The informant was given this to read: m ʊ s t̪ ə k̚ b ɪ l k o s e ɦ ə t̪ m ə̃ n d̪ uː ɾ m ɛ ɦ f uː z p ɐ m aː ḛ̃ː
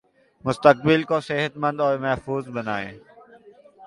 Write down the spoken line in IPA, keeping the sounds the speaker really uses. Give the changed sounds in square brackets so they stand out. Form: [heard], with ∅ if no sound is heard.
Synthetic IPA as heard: m ʊ s t̪ ə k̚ b ɪ l k o s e ɦ ə t̪ m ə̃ n d̪ [ɔː] ɾ m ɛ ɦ f uː z [b] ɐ [n] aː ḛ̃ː

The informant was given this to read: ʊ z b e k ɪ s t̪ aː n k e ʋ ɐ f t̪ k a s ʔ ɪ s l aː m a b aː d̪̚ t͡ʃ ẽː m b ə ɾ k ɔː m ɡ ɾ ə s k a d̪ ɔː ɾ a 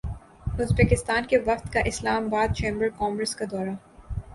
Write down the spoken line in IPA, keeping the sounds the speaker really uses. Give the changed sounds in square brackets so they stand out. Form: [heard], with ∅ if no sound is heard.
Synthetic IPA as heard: ʊ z b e k ɪ s t̪ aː n k e ʋ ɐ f t̪ k a [∅] ʔ ɪ s l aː m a b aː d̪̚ t͡ʃ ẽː m b ə ɾ k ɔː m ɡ ɾ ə s k a d̪ ɔː ɾ a

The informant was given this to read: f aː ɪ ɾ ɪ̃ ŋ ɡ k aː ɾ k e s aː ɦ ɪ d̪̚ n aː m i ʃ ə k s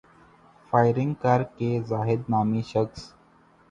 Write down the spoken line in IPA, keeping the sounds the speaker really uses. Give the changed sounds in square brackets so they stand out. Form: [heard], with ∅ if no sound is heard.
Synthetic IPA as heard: f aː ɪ ɾ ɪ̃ ŋ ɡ k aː ɾ k e [z] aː ɦ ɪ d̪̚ n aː m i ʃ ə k s

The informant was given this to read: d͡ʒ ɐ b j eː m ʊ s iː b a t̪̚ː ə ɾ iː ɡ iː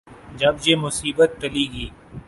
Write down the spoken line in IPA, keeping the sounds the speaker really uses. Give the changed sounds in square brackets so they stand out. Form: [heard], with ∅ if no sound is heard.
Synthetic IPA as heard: d͡ʒ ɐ b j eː m ʊ s iː b [ə] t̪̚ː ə [l] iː ɡ iː

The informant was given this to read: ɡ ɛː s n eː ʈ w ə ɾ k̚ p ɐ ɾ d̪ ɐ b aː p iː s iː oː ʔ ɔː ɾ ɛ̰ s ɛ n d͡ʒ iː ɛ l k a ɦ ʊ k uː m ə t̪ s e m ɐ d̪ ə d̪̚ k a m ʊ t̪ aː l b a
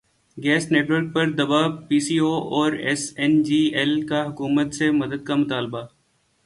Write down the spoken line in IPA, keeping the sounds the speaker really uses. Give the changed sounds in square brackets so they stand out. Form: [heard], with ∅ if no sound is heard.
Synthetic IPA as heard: ɡ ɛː s n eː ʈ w ə ɾ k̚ p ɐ ɾ d̪ ɐ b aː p iː s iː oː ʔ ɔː ɾ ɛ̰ s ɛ n d͡ʒ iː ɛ l k a ɦ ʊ k uː m ə t̪ s e m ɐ d̪ ə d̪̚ k a m ʊ t̪ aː l b a

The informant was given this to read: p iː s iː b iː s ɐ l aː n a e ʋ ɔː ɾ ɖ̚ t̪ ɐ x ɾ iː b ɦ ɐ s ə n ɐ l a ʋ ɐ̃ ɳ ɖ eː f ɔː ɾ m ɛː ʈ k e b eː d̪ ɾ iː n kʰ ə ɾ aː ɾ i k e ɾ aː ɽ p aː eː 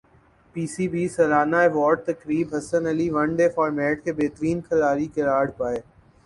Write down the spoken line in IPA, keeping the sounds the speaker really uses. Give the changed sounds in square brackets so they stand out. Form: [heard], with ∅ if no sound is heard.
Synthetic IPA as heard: p iː s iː b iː s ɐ l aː n a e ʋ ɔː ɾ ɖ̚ t̪ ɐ [k] ɾ iː b ɦ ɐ s ə n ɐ l [i] ʋ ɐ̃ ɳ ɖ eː f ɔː ɾ m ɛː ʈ k e b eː [t̪] ɾ iː n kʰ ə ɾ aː ɾ i k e ɾ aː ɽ p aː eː

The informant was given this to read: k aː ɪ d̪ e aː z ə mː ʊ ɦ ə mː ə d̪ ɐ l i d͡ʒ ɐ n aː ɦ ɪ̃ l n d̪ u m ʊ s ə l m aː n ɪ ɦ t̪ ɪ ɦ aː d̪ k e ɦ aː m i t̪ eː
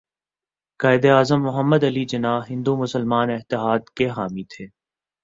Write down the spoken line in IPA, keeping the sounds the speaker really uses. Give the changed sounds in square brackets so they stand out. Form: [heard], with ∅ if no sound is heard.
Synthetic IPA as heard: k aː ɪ d̪ e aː z ə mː ʊ ɦ ə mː ə d̪ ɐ l i d͡ʒ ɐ n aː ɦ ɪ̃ [∅] n d̪ u m ʊ s ə l m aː n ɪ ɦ t̪ ɪ ɦ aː d̪ k e ɦ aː m i [t̪ʰ] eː

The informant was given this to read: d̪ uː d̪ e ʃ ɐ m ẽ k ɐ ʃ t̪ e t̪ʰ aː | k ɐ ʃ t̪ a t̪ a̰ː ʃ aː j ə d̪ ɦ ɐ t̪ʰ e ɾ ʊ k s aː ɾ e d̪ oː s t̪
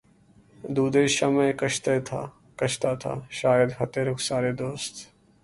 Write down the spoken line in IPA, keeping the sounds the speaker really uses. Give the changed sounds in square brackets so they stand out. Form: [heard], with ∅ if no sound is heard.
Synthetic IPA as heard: d̪ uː d̪ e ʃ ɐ m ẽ k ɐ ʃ t̪ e t̪ʰ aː | k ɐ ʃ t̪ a [t̪ʰ] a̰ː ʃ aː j ə d̪ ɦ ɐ [t̪] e ɾ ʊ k s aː ɾ e d̪ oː s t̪

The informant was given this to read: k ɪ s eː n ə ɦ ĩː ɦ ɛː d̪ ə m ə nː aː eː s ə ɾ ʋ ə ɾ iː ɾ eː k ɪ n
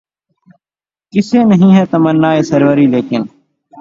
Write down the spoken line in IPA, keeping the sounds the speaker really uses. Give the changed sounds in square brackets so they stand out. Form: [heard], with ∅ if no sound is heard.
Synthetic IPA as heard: k ɪ s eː n ə ɦ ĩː ɦ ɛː [t̪] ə m ə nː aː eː s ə ɾ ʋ ə ɾ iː [l] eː k ɪ n

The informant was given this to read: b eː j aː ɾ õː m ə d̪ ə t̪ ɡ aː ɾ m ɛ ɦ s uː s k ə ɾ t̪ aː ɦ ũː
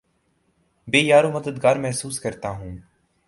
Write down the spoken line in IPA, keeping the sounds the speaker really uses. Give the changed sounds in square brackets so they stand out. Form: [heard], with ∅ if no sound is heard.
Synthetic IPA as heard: b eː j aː ɾ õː m ə d̪ ə [d̪] ɡ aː ɾ m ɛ ɦ s uː s k ə ɾ t̪ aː ɦ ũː

